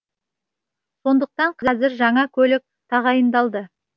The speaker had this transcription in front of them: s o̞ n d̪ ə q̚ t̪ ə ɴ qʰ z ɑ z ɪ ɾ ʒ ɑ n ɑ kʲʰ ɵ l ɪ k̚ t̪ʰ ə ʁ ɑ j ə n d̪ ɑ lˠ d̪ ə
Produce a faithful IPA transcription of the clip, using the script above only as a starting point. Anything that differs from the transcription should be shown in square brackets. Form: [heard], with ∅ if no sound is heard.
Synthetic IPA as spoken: s o̞ n d̪ ə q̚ t̪ [ɑ] ɴ qʰ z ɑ z ɪ ɾ ʒ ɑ [ɴ] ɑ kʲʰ ɵ l ɪ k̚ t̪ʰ [ɑ] ʁ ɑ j ə n d̪ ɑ lˠ d̪ ə